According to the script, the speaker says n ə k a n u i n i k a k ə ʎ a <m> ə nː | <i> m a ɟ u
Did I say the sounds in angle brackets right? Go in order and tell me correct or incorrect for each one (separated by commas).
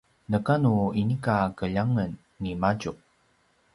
incorrect, correct